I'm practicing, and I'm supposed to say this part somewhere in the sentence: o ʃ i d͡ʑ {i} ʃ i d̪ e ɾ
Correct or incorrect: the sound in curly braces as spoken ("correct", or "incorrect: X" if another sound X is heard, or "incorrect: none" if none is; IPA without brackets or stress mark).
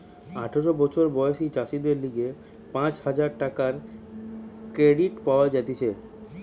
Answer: incorrect: a